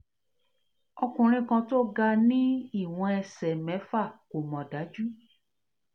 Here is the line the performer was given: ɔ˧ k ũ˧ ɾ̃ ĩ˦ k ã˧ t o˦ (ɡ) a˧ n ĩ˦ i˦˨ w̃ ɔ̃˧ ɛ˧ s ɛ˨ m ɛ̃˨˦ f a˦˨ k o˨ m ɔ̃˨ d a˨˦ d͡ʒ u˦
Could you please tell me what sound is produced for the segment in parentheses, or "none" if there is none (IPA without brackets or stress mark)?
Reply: ɡ